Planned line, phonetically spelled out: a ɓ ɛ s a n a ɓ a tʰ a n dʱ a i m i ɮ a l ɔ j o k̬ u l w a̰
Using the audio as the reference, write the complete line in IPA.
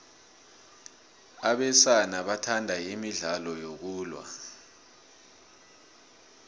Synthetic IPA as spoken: a ɓ ɛ s a n a ɓ a tʰ a n dʱ a i m i ɮ a l ɔ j o k̬ uː l w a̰